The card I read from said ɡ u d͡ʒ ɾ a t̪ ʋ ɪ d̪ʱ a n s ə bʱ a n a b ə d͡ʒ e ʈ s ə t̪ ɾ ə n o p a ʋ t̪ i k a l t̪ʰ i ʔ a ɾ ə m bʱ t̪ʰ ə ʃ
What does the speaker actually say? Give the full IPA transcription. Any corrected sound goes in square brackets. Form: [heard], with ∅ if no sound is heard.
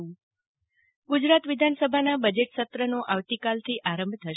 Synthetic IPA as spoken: ɡ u d͡ʒ ɾ a t̪ ʋ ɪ d̪ʱ a n s ə bʱ a n a b ə d͡ʒ e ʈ s ə t̪ ɾ ə n o [ʔ] a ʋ t̪ i k a l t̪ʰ i ʔ a ɾ ə m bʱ t̪ʰ ə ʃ

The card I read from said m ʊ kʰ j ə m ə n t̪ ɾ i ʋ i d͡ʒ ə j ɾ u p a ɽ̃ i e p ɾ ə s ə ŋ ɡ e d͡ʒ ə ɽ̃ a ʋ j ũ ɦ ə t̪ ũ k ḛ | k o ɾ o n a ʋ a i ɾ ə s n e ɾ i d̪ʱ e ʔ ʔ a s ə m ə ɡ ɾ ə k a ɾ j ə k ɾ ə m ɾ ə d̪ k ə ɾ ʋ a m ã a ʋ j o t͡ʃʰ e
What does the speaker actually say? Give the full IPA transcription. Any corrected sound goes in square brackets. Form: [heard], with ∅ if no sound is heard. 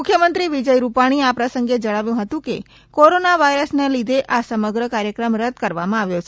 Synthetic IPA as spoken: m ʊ kʰ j ə m ə n t̪ ɾ i ʋ i d͡ʒ ə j ɾ u p a ɽ̃ i [a] p ɾ ə s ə ŋ ɡ e d͡ʒ ə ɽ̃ a ʋ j ũ ɦ ə t̪ ũ k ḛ | k o ɾ o n a ʋ a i ɾ ə s n e [l] i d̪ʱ e ʔ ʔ a s ə m ə ɡ ɾ ə k a ɾ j ə k ɾ ə m ɾ ə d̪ k ə ɾ ʋ a m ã a ʋ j o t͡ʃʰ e

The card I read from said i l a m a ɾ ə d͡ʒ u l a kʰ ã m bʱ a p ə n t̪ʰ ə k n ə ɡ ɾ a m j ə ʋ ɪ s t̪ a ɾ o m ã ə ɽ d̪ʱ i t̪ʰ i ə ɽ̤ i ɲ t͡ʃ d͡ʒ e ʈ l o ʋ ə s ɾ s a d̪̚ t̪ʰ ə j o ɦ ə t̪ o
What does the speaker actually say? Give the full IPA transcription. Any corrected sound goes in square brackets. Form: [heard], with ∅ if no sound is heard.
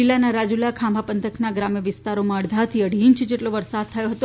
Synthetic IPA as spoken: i l a [n] a ɾ [a] d͡ʒ u l a kʰ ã m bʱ a p ə n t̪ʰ ə k n [a] ɡ ɾ a m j ə ʋ ɪ s t̪ a ɾ o m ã ə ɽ d̪ʱ [a] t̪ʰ i ə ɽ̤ i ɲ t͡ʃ d͡ʒ e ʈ l o ʋ ə [∅] ɾ s a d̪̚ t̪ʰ ə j o ɦ ə t̪ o

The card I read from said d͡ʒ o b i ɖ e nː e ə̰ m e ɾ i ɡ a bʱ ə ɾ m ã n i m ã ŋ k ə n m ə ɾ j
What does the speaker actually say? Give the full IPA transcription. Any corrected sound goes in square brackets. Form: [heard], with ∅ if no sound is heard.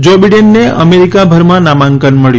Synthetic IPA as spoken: d͡ʒ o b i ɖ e nː e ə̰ m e ɾ i [k] a bʱ ə ɾ m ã n [a] m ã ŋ k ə n m ə [ɭ] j

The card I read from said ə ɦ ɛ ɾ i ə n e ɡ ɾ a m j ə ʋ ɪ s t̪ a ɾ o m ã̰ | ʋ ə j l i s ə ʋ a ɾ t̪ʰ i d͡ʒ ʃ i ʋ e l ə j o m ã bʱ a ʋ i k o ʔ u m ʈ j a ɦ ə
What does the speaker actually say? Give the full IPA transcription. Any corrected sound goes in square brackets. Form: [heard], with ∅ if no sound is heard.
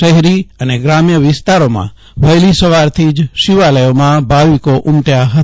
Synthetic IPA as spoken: ə ɦ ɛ ɾ i ə n e ɡ ɾ a m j ə ʋ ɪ s t̪ a ɾ o m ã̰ | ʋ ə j l i s ə ʋ a ɾ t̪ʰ i d͡ʒ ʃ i ʋ [a] l ə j o m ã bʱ a ʋ i k o ʔ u m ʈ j a ɦ ə

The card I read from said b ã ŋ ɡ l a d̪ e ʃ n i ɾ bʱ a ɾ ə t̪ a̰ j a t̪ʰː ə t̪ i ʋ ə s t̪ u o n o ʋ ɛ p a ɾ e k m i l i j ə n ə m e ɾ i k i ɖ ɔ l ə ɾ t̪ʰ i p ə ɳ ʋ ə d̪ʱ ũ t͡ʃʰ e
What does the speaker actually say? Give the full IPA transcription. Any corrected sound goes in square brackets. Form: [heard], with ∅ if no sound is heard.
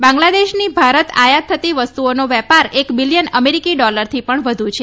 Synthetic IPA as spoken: b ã ŋ ɡ l a d̪ e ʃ n i [∅] bʱ a ɾ ə t̪ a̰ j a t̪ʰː ə t̪ i ʋ ə s t̪ u o n o ʋ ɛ p a ɾ e k [b] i l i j ə n ə m e ɾ i k i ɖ ɔ l ə ɾ t̪ʰ i p ə ɳ ʋ ə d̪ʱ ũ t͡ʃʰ e

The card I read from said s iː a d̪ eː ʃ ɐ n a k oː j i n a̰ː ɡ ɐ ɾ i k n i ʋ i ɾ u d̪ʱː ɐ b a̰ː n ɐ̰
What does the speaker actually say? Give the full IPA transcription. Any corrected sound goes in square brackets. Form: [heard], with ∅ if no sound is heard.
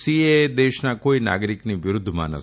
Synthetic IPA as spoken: s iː [e] d̪ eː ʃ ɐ n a k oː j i n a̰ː ɡ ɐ ɾ i k n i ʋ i ɾ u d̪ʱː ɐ [m] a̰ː n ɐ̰

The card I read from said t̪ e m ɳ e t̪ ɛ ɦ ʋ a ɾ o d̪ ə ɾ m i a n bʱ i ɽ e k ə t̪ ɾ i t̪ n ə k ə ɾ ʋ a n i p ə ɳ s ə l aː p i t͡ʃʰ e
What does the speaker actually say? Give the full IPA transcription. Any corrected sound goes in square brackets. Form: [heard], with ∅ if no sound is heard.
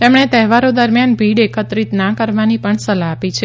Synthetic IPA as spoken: t̪ e m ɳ e t̪ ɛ ɦ ʋ a ɾ o d̪ ə ɾ m [j] a n bʱ i ɽ e k ə t̪ ɾ i t̪ n [a] k ə ɾ ʋ a n i p ə ɳ s ə l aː p i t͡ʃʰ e

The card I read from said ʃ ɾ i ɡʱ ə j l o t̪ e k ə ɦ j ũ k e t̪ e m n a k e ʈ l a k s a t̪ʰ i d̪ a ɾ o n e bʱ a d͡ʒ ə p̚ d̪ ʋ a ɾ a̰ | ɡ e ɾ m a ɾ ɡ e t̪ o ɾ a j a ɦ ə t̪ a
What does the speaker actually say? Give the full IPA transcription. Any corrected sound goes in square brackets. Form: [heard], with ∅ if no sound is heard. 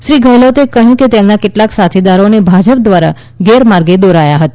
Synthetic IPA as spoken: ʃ ɾ i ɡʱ ə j l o t̪ e k ə ɦ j ũ k e t̪ e m n a k e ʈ l a k s a t̪ʰ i d̪ a ɾ o n e bʱ a d͡ʒ ə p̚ d̪ ʋ a ɾ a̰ | ɡ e ɾ m a ɾ ɡ e [d̪] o ɾ a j a ɦ ə t̪ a

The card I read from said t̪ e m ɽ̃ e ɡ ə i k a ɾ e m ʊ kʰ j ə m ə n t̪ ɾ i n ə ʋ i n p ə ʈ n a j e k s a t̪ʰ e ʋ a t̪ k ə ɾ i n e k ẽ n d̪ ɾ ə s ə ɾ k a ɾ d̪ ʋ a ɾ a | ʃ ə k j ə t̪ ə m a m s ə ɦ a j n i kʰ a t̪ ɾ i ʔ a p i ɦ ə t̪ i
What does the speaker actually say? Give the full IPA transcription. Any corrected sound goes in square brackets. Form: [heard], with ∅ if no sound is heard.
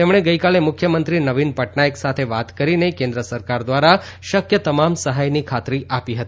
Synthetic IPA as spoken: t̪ e m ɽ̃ e ɡ ə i k a [l] e m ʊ kʰ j ə m ə n t̪ ɾ i n ə ʋ i n p ə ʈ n a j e k s a t̪ʰ e ʋ a t̪ k ə ɾ i n e k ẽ n d̪ ɾ ə s ə ɾ k a ɾ d̪ ʋ a ɾ a | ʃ ə k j ə t̪ ə m a m s ə ɦ a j n i kʰ a t̪ ɾ i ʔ a p i ɦ ə t̪ i

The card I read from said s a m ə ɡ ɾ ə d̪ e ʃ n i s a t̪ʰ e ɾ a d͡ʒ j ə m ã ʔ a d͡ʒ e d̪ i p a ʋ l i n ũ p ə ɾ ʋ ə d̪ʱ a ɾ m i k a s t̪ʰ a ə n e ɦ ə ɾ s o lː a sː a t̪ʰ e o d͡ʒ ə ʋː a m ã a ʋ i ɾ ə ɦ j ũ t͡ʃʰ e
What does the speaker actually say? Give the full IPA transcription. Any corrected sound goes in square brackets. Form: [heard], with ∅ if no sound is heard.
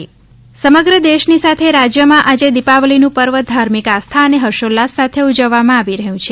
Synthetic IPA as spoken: s [ə] m ə ɡ ɾ ə d̪ e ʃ n i s a t̪ʰ e ɾ a d͡ʒ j ə m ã ʔ a d͡ʒ e d̪ i p a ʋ l i n ũ p ə ɾ ʋ ə d̪ʱ a ɾ m i k a s t̪ʰ a ə n e ɦ ə ɾ [ʃ] o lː a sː a t̪ʰ e [u] d͡ʒ ə ʋː a m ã a ʋ i ɾ ə ɦ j ũ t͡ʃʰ e

